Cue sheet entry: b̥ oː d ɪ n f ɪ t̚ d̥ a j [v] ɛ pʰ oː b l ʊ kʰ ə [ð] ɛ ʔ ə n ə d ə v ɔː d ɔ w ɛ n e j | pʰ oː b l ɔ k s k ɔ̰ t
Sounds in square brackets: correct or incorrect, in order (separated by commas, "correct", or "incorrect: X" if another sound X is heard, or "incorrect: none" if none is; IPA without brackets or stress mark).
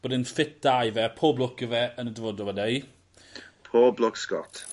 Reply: correct, incorrect: v